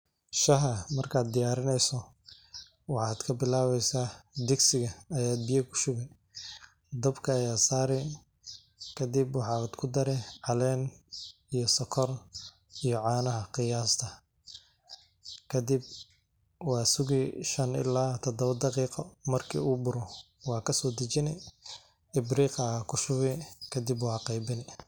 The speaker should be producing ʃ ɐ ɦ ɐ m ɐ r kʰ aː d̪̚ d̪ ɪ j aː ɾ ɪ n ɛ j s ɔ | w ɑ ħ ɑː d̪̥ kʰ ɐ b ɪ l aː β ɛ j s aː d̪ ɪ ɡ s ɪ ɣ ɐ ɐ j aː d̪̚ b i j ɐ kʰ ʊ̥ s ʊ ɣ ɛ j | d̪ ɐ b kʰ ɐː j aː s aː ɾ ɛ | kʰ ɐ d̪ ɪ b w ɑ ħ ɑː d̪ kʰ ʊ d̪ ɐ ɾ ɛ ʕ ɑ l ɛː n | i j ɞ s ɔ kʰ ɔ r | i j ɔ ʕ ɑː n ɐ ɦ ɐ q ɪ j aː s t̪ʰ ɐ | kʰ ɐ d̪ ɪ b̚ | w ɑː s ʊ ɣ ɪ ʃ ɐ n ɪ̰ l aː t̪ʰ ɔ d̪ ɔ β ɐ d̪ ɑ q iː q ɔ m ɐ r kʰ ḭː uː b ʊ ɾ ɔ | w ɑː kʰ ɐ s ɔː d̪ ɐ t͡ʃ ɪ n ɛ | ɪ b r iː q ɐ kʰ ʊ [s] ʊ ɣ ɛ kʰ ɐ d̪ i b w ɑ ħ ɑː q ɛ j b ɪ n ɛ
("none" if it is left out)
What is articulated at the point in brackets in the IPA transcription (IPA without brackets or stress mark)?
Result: ʃ